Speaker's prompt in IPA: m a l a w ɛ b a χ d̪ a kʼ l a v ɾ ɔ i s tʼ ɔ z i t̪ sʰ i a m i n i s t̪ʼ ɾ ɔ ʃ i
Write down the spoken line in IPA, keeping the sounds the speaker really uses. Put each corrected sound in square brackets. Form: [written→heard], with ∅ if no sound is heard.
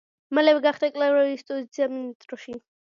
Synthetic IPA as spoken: m a l [a→ɛ] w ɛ [b→ɡ] a χ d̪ a kʼ l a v ɾ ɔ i s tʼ ɔ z i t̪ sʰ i a m i n i s t̪ʼ ɾ ɔ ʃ i